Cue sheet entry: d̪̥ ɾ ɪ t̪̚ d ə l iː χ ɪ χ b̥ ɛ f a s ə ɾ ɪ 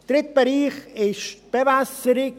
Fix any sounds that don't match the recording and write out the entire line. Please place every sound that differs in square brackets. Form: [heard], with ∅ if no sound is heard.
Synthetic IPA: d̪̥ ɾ ɪ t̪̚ [b] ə [ɾ] iː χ ɪ [ʃ] b̥ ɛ [v] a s ə ɾ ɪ